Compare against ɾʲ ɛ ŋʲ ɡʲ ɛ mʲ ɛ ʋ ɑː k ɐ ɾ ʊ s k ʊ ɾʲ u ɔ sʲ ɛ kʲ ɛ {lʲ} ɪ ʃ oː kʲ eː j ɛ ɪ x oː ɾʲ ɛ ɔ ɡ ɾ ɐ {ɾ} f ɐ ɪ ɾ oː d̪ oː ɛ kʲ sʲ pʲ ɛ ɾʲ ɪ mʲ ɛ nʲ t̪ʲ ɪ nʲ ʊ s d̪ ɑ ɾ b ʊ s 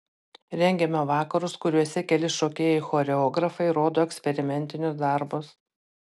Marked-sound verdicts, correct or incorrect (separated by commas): correct, incorrect